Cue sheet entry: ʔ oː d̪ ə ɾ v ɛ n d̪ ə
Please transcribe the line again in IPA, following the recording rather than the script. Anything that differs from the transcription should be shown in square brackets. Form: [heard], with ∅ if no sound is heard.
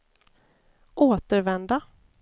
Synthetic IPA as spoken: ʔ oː [t̪] ə ɾ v ɛ n d̪ [a]